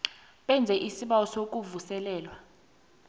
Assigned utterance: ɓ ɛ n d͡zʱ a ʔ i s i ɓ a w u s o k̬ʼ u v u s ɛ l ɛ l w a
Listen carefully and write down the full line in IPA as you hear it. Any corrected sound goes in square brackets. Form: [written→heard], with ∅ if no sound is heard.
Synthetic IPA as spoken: ɓ ɛ n d͡zʱ [a→ɛ] ʔ i s i ɓ a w [u→ɔ] s o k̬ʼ u v u s ɛ l [ɛ→ɛː] l w a